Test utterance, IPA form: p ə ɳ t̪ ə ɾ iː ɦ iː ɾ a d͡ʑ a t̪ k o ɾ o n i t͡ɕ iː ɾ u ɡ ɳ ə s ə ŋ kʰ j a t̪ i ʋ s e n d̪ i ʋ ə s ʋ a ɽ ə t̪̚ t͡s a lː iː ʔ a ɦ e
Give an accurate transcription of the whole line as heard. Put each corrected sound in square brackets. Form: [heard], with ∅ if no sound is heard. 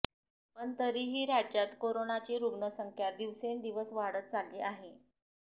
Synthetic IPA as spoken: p ə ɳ t̪ ə ɾ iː ɦ iː ɾ a d͡ʑ a t̪ k o ɾ o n [a] t͡ɕ iː ɾ u ɡ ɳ ə s ə ŋ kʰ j a [d̪] i ʋ s e n d̪ i ʋ ə s ʋ a ɽ ə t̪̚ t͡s a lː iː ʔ a ɦ e